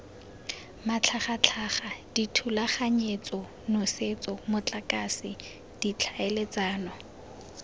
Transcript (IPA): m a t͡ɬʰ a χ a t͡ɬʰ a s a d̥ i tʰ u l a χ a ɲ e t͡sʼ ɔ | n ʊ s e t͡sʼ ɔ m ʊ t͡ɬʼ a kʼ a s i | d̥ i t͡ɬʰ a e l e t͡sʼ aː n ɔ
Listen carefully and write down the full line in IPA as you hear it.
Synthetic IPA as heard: m a t͡ɬʰ a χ a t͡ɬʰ a χ a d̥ i tʰ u l a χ a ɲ e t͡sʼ ɔ | n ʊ s e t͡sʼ ɔ m ʊ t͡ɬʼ a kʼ a s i | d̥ i t͡ɬʰ a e l e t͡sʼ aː n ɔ